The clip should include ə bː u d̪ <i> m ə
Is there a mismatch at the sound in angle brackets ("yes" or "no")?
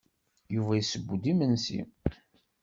no